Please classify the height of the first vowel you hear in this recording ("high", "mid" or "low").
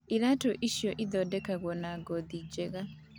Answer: high